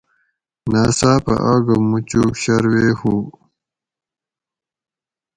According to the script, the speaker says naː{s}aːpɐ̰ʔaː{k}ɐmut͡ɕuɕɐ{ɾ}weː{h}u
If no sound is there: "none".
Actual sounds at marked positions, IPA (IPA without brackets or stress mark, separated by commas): s, ɡ, ɾ, h